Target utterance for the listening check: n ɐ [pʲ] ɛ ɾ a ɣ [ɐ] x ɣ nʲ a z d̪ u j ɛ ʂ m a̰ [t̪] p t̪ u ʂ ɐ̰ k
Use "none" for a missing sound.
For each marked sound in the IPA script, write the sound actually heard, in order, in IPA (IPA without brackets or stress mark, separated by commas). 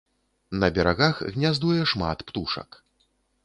bʲ, a, t̪